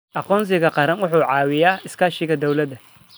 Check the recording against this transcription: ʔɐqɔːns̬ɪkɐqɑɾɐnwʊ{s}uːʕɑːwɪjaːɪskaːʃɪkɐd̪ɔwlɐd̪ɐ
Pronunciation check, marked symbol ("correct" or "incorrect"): incorrect